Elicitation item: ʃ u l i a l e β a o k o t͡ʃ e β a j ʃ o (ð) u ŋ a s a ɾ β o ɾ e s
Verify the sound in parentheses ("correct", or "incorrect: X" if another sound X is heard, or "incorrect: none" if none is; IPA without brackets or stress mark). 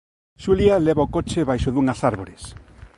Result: correct